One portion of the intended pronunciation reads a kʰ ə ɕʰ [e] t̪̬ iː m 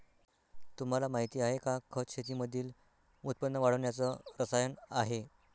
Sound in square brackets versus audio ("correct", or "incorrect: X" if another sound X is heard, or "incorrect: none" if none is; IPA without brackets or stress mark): correct